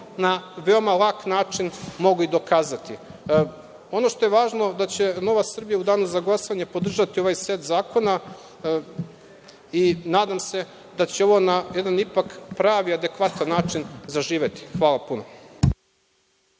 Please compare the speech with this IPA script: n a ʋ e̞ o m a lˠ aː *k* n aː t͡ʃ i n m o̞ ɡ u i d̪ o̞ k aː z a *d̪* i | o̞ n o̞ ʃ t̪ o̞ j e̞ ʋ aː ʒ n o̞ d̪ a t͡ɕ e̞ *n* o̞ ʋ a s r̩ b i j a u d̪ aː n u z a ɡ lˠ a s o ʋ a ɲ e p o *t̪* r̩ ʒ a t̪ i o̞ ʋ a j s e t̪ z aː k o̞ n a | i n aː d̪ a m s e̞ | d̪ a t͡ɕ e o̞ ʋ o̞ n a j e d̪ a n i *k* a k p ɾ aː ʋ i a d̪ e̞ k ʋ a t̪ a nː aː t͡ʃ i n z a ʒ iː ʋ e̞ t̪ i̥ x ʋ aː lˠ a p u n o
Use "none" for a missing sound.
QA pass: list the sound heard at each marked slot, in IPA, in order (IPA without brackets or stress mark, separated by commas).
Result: k, t̪, n, d̪, p